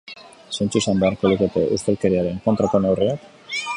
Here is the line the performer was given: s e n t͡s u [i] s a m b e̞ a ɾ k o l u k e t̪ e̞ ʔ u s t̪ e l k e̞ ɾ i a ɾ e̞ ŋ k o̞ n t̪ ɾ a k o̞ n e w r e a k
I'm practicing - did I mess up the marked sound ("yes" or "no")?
no